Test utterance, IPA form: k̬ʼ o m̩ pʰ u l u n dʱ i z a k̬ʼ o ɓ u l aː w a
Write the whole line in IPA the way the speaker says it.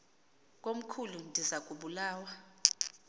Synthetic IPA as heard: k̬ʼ o m̩ kʰ u l u n dʱ i z a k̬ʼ u ɓ u l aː w a